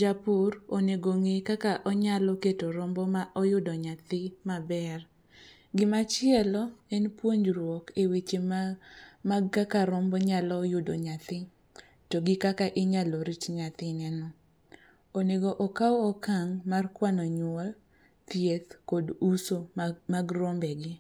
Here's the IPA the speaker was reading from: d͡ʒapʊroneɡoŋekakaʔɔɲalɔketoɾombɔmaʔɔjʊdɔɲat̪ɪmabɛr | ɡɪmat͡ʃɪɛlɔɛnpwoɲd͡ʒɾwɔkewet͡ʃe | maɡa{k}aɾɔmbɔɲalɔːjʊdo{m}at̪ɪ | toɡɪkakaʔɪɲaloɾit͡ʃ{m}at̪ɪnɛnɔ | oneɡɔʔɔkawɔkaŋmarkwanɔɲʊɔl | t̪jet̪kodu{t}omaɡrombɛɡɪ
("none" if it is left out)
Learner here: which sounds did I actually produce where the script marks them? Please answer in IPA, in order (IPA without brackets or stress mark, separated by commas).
k, ɲ, ɲ, s